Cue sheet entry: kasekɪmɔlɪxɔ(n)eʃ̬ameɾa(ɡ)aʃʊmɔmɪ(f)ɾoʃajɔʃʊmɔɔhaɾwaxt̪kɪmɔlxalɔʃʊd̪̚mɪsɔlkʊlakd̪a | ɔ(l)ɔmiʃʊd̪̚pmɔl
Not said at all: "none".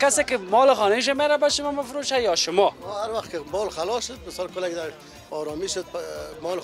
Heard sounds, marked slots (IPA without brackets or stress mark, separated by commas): n, b, f, ɾ